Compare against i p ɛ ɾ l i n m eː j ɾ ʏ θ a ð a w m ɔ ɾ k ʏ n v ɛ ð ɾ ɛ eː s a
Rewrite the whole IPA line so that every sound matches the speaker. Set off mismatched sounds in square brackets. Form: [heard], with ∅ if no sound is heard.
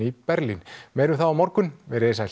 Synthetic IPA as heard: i p ɛ ɾ l i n m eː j ɾ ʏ θ a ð a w m ɔ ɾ k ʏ n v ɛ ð ɾ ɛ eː s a